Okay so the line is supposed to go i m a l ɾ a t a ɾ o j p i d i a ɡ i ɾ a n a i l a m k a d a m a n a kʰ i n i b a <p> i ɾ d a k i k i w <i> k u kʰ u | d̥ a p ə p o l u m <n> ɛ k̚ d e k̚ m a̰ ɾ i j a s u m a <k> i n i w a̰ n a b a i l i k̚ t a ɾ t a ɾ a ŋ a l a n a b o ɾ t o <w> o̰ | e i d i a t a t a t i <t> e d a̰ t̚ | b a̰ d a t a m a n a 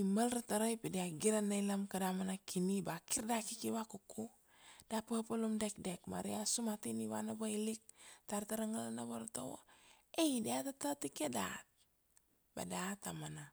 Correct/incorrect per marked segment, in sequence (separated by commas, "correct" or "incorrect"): incorrect, incorrect, incorrect, incorrect, correct, incorrect